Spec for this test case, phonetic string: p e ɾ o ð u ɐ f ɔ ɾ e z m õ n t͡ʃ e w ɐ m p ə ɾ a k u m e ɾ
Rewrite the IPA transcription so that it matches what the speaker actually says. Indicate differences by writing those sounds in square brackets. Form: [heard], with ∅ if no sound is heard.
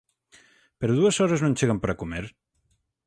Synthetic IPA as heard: p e ɾ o ð u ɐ [s] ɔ ɾ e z [n] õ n t͡ʃ e [ɣ] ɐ m p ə ɾ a k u m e ɾ